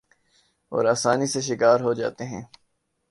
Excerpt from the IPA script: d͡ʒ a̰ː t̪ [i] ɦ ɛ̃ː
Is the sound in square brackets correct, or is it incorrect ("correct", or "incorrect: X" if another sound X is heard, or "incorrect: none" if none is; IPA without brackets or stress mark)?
incorrect: e